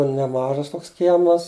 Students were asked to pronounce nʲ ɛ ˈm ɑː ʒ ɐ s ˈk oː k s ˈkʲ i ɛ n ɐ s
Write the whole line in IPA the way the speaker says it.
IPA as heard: nʲ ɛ ˈm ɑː ʒ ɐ s ˈt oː k s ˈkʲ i ɛ m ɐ s